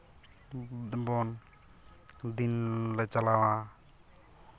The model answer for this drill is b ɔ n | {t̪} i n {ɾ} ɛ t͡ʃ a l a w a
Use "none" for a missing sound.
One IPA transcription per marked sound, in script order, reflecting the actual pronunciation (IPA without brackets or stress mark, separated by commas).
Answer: d̪, l